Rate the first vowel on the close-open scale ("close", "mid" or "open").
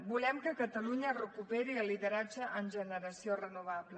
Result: close